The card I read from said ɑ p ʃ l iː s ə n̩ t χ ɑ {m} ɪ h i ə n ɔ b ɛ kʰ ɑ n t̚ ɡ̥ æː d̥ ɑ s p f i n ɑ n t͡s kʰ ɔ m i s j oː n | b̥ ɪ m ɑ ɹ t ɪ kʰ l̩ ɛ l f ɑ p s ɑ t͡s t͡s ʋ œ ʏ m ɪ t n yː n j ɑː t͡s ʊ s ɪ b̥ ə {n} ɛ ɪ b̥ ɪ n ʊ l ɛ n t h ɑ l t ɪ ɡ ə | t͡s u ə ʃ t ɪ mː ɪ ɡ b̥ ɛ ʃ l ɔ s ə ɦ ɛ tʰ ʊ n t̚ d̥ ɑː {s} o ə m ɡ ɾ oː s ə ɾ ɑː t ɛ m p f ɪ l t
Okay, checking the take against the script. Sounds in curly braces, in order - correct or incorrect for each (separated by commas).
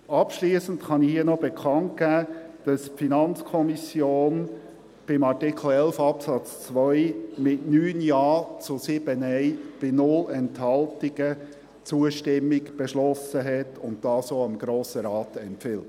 incorrect, correct, correct